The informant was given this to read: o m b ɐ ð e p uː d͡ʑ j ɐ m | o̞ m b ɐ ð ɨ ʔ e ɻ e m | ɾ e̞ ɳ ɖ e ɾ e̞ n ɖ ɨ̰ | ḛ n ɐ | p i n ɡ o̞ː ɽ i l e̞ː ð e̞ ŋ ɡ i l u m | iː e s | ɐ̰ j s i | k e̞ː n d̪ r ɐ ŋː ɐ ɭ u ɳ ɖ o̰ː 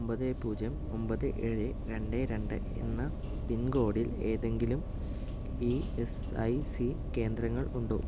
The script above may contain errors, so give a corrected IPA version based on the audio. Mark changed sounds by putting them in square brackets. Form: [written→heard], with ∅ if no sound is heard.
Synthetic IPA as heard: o m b ɐ ð e p uː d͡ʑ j ɐ m | o̞ m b ɐ ð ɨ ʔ e ɻ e [m→∅] | ɾ e̞ ɳ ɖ e ɾ e̞ [n→ɳ] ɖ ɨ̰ | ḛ [n→nː] ɐ | p i n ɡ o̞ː ɽ i l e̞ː ð e̞ ŋ ɡ i l u m | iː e s | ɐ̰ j s i | k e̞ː n d̪ r ɐ ŋː ɐ ɭ u ɳ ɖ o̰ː